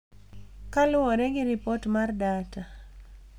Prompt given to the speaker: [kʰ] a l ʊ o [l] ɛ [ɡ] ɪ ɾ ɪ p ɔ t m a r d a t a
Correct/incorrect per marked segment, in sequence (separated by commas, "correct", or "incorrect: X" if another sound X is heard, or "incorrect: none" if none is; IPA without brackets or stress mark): incorrect: k, incorrect: ɾ, correct